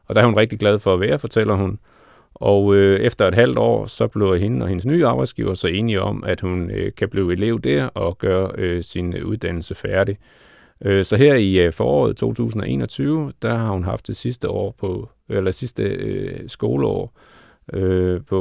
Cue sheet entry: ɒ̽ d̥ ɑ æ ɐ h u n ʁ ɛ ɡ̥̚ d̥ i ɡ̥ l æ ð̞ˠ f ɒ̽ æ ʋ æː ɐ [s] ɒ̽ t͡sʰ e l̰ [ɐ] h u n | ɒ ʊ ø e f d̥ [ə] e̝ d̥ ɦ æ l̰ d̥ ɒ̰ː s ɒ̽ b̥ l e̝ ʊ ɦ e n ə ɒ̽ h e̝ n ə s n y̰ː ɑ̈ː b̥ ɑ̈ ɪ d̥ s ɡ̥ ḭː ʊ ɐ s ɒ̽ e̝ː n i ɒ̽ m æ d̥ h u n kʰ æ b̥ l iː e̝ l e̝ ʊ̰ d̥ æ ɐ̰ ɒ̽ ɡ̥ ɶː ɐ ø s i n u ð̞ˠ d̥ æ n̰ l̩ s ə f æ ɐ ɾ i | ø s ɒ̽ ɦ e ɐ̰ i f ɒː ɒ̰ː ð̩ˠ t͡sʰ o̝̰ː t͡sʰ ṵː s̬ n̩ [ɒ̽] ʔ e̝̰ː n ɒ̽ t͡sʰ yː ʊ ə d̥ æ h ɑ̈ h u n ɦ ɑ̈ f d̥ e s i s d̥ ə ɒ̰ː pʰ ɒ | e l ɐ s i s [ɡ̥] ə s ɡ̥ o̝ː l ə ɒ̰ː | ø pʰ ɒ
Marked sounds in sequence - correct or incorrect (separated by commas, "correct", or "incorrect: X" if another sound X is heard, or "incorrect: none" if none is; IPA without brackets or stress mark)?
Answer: incorrect: f, correct, incorrect: ɐ, correct, incorrect: d̥